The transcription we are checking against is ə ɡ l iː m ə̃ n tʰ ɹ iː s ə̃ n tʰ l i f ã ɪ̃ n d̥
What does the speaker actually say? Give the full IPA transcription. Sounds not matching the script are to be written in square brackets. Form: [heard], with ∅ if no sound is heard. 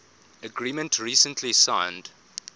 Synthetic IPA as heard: ə ɡ [ɹ] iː m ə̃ n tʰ ɹ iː s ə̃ n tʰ l i [s] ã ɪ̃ n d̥

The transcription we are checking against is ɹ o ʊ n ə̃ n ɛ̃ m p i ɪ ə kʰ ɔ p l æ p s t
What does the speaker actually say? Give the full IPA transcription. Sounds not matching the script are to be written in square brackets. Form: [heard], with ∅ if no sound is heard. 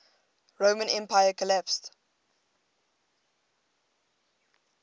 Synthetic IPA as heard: ɹ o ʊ [m] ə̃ n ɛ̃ m p [a] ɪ ə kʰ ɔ [∅] l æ p s t

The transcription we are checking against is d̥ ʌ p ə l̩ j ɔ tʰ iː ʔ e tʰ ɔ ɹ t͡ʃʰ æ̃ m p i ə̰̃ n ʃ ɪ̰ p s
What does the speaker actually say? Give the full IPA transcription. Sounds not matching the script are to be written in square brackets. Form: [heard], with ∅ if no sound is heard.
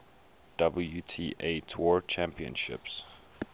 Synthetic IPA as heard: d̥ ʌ [b] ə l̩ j [u] tʰ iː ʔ e tʰ ɔ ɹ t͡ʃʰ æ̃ m p i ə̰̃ n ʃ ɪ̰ p s

